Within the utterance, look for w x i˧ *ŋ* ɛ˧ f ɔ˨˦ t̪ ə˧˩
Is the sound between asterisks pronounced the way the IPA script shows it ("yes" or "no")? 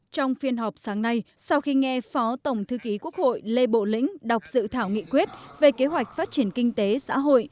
yes